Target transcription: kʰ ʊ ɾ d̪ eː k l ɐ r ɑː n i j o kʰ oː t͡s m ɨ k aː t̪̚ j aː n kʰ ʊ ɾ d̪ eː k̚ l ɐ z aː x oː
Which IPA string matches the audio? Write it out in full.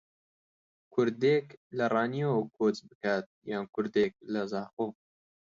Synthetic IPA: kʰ ʊ ɾ d̪ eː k l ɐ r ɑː n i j o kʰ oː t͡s b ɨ k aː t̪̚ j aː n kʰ ʊ ɾ d̪ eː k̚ l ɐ z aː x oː